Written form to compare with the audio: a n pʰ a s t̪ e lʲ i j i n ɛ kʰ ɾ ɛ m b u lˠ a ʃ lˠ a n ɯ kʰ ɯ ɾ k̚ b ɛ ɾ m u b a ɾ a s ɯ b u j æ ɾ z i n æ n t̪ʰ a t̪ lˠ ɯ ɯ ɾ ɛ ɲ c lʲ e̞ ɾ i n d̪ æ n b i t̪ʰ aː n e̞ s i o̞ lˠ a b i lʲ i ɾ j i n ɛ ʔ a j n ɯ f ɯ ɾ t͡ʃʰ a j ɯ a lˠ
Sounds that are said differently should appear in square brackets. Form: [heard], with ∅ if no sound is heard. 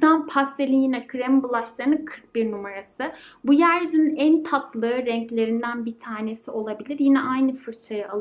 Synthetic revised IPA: a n pʰ a s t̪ e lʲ i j i n ɛ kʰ ɾ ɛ m b u lˠ a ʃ lˠ a n ɯ kʰ ɯ ɾ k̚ b [i] ɾ [n] u [m] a ɾ a s ɯ b u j æ ɾ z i n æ n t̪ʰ a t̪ lˠ ɯ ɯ ɾ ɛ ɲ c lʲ e̞ ɾ i n d̪ æ n b i t̪ʰ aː n e̞ s i o̞ lˠ a b i lʲ i ɾ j i n ɛ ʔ a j n ɯ f ɯ ɾ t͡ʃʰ a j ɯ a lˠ